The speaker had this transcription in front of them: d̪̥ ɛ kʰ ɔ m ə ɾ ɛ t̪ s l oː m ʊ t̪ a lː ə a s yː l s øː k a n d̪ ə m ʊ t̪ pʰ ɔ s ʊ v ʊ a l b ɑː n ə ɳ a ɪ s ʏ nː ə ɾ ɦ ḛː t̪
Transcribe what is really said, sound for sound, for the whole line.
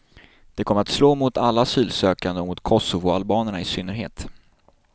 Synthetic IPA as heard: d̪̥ ɛ kʰ ɔ m ə ɾ a t̪ s l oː m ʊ t̪ a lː a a s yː l s øː k a n d̪ ə m ʊ t̪ kʰ ɔ s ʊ v ʊ a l b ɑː n ə ɳ a ɪ s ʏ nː ə ɾ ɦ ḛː t̪